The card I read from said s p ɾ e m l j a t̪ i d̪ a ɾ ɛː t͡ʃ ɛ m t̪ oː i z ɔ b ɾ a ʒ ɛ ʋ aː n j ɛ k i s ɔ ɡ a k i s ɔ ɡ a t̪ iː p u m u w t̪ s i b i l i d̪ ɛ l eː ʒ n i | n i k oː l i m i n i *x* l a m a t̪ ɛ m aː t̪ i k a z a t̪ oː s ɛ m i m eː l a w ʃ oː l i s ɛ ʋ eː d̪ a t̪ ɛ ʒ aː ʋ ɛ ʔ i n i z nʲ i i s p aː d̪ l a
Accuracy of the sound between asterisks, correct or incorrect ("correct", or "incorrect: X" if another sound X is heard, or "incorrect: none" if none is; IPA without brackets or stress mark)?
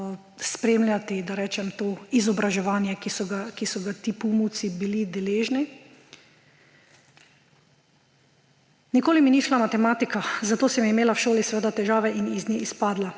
incorrect: ʃ